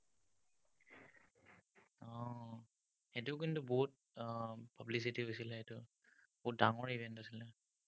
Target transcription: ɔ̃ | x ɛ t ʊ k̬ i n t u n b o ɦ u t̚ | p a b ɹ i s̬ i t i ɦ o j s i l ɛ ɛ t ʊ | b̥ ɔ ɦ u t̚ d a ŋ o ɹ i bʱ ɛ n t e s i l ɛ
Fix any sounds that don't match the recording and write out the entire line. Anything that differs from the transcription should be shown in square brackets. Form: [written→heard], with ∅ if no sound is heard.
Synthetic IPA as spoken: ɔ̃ | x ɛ t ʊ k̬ i n t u [n→∅] b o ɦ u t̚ | p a b [ɹ→l] i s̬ i t i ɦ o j s i l ɛ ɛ t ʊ | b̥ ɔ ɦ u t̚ d a ŋ [o→ɔ] ɹ i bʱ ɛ n t [e→a] s i l ɛ